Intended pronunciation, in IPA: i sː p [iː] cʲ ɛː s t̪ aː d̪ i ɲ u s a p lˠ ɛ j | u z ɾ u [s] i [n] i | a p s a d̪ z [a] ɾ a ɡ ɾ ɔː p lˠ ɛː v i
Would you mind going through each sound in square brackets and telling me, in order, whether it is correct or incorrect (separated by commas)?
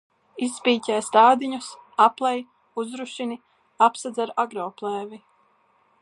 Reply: correct, incorrect, correct, correct